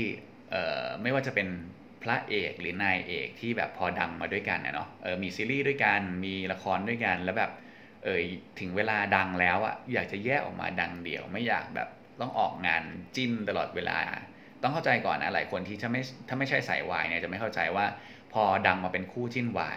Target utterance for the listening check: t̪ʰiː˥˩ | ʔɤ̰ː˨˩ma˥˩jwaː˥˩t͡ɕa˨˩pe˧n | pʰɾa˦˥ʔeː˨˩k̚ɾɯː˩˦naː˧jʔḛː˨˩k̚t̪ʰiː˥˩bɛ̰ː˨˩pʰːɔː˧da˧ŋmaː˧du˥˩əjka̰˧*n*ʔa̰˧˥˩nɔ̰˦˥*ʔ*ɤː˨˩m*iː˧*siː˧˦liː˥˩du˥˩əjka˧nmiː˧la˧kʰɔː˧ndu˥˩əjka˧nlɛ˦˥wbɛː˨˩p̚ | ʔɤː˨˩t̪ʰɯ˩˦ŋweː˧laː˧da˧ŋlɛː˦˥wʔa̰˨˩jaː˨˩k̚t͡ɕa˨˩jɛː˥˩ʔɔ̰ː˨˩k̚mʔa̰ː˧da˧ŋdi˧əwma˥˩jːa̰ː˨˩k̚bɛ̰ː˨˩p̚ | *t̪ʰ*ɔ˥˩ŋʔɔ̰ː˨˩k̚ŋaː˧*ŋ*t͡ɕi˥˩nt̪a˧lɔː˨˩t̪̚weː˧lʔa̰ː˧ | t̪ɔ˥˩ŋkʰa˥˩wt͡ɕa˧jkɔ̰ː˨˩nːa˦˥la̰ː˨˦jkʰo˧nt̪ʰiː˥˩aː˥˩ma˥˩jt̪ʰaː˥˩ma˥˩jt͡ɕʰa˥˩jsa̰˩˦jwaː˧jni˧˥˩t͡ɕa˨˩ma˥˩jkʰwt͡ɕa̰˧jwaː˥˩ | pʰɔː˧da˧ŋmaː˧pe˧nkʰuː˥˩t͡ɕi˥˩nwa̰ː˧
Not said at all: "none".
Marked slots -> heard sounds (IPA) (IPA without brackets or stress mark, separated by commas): n, ʔ, iː˧, t̪, n